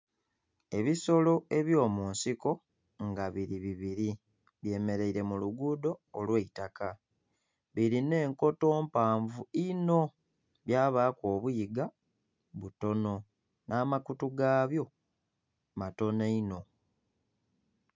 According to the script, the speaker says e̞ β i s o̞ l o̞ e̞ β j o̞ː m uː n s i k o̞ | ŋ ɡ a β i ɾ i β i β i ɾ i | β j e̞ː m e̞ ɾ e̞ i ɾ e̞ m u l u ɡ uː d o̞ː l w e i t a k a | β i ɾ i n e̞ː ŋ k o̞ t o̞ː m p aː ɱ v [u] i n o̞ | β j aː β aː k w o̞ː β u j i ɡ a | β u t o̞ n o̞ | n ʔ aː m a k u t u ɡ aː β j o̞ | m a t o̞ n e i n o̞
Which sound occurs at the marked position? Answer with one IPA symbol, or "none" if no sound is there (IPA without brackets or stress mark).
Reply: u